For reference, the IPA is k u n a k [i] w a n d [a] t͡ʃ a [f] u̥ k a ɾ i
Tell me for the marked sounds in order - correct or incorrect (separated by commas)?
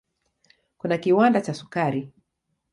correct, correct, incorrect